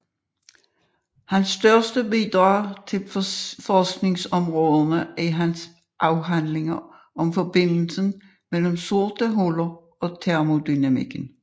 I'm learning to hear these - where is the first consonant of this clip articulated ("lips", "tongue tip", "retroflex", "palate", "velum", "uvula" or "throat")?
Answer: throat